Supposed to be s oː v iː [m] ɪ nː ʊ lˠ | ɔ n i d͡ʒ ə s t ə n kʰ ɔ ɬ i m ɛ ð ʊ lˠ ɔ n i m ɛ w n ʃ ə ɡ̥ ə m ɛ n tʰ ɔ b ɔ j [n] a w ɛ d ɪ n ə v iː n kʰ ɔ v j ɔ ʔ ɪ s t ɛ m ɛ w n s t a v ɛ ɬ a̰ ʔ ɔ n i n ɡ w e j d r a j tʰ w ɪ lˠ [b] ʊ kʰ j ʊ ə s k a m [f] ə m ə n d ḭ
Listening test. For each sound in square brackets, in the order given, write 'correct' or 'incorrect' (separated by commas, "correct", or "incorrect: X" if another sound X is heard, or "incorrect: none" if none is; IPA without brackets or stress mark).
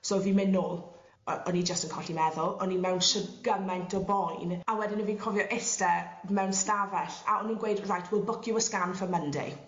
correct, correct, correct, correct